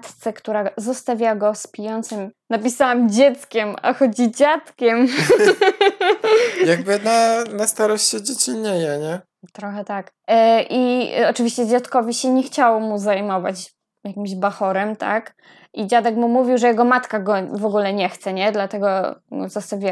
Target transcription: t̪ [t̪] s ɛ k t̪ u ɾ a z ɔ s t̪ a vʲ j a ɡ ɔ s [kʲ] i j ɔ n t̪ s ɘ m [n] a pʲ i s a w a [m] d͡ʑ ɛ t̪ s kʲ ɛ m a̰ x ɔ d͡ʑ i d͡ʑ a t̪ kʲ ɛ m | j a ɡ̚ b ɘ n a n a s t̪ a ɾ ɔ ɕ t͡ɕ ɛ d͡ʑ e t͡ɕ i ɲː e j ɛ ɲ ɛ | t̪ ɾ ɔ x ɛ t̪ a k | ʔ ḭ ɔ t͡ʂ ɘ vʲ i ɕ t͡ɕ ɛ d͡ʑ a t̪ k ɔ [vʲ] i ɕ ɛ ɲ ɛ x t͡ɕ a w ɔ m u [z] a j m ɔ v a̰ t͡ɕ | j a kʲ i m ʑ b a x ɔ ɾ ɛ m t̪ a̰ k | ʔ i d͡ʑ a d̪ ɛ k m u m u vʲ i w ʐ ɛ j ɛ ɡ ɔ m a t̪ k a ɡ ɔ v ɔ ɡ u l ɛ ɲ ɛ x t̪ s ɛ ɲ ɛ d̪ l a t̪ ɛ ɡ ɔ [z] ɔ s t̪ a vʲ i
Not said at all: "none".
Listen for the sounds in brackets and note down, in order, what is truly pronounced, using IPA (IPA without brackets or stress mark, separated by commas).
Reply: t̪, pʲ, n, m, vʲ, z, z